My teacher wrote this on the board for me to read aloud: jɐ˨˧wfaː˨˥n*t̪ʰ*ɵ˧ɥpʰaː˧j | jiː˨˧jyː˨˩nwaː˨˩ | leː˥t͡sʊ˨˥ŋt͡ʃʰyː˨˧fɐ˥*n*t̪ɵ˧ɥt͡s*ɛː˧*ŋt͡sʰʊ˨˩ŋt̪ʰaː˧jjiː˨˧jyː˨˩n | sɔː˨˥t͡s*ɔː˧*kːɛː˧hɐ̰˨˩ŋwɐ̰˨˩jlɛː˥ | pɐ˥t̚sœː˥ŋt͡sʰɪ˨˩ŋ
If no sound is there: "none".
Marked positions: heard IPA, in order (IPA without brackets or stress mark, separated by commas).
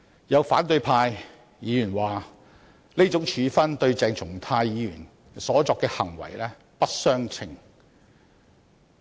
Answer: t̪, n, ɛː˧, ɔː˧